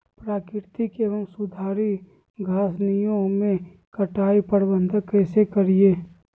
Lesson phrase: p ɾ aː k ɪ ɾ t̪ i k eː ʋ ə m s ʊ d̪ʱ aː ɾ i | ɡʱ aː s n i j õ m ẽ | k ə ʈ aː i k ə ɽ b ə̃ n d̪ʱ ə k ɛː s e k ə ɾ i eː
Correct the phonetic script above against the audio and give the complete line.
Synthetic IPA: p ɾ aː k ɪ ɾ t̪ i k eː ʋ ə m s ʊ d̪ʱ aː ɾ i | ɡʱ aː s n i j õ m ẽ | k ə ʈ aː i p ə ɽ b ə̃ n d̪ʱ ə k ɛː s e k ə ɾ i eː